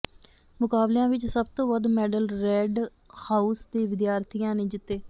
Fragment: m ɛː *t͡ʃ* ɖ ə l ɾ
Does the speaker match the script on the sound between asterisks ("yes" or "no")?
no